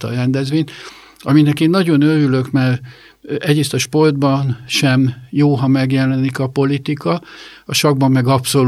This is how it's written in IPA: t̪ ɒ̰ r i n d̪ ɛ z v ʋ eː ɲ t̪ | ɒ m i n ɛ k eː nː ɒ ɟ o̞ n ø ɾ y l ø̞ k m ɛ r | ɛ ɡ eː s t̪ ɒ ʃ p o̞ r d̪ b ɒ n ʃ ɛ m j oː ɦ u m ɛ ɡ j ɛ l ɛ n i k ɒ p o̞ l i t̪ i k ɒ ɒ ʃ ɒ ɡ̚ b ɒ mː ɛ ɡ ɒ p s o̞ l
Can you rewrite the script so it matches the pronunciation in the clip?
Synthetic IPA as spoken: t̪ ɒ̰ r ɛ n d̪ ɛ z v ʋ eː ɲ t̪ | ɒ m i n ɛ k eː nː ɒ ɟ o̞ n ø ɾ y l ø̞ k m ɛ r | ɛ ɟ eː s t̪ ɒ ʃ p o̞ r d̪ b ɒ n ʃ ɛ m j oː ɦ ɒ m ɛ ɡ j ɛ l ɛ n i k ɒ p o̞ l i t̪ i k ɒ ɒ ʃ ɒ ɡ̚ b ɒ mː ɛ ɡ ɒ p s o̞ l